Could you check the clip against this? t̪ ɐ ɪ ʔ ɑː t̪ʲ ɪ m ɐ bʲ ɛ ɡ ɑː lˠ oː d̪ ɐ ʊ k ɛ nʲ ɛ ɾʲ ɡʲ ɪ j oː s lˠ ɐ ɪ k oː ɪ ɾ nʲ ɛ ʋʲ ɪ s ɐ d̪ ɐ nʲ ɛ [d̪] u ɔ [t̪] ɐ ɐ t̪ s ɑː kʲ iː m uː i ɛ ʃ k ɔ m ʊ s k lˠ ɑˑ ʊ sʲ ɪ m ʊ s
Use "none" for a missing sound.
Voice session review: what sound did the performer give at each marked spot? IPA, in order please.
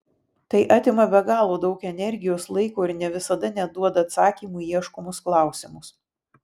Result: d̪, d̪

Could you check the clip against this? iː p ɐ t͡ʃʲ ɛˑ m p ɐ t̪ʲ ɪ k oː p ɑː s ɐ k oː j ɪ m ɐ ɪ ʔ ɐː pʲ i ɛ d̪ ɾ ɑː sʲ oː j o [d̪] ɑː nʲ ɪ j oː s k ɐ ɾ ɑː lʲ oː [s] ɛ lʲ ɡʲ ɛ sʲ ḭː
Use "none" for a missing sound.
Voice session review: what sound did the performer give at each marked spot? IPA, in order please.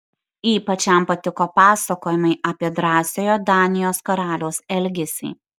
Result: d̪, s

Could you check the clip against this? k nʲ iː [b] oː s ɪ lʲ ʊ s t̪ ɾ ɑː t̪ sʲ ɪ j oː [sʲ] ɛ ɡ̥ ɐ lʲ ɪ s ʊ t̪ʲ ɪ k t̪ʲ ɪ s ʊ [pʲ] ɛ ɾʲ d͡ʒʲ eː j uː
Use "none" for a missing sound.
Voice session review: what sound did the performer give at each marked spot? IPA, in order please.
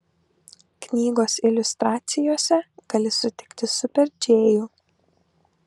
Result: ɡ, sʲ, pʲ

